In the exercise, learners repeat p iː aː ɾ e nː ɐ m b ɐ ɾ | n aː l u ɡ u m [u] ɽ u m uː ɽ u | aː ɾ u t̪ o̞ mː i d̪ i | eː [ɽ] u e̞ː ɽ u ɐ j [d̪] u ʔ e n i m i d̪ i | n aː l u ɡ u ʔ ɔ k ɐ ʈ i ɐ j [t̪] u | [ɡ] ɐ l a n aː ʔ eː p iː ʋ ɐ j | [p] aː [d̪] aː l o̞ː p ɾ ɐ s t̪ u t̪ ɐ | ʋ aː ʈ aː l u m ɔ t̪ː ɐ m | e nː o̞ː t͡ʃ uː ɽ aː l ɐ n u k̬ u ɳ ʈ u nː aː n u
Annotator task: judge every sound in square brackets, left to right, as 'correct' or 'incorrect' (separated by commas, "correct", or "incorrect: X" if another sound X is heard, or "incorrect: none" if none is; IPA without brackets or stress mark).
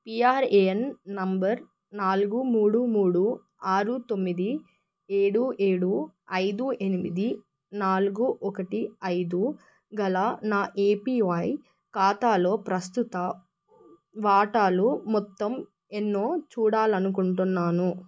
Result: incorrect: uː, correct, correct, incorrect: d̪, correct, incorrect: k, incorrect: t̪